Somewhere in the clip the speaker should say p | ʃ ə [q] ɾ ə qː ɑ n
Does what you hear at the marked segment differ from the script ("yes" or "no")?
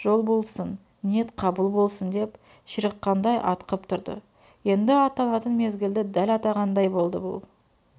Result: yes